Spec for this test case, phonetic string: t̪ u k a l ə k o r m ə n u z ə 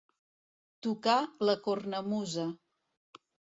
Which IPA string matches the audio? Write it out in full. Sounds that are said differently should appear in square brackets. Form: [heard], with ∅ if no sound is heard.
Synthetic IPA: t̪ u k a l ə k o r [n] ə [m] u z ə